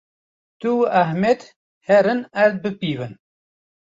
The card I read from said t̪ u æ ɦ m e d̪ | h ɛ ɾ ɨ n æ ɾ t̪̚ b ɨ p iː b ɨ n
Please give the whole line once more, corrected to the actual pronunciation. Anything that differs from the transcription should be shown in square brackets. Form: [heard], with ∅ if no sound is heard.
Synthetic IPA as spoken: t̪ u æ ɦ m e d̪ | h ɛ ɾ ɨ n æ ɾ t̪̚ b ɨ p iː [v] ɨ n